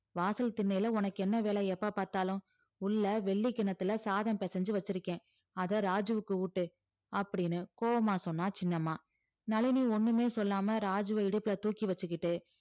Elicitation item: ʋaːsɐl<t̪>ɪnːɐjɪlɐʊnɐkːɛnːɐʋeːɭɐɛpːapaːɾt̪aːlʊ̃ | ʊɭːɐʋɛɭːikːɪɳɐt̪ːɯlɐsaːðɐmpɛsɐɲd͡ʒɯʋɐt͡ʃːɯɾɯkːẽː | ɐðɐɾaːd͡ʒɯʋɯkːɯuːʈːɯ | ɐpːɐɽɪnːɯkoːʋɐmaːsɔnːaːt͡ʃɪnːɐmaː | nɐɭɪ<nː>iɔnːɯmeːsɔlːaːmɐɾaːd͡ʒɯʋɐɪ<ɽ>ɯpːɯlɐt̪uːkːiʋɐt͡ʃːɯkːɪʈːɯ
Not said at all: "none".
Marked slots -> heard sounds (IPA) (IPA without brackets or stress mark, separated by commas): t̪, n, ɽ